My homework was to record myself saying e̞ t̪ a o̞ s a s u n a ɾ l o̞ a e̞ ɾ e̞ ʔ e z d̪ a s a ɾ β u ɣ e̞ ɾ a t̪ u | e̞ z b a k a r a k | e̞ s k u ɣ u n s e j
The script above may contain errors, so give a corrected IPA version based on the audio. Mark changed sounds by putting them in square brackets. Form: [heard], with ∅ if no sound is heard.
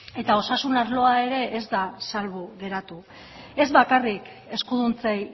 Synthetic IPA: e̞ t̪ a o̞ s a s u n a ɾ l o̞ a e̞ ɾ e̞ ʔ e z d̪ a s a [l] β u ɣ e̞ ɾ a t̪ u | e̞ z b a k a r [i] k | e̞ s k u [ð] u n [t͡s] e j

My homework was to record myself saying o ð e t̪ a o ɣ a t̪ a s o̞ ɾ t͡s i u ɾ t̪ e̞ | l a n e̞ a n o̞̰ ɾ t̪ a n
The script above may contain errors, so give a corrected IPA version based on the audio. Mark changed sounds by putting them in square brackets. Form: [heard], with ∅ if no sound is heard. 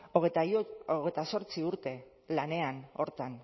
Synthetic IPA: o [ɣ] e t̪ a o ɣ [e] t̪ a s o̞ ɾ t͡s i u ɾ t̪ e̞ | l a n e̞ a n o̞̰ ɾ t̪ a n

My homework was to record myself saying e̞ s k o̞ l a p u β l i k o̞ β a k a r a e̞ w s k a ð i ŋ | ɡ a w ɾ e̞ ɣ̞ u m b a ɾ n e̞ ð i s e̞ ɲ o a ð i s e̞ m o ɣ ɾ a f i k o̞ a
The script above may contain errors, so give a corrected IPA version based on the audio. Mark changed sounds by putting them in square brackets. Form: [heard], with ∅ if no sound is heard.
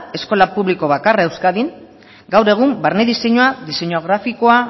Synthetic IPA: e̞ s k o̞ l a p u β l i k o̞ β a k a r a e̞ w s k a ð i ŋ | ɡ a w ɾ e̞ ɣ̞ u m b a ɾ n e̞ ð i s e̞ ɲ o a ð i s e̞ [ɲ] o ɣ ɾ a f i k o̞ a

